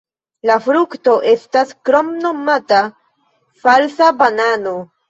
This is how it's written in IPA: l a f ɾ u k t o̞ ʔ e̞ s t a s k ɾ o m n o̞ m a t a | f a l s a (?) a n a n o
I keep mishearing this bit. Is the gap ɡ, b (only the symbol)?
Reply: b